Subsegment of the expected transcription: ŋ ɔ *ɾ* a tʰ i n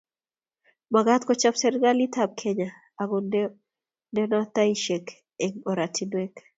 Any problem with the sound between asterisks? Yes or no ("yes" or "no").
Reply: no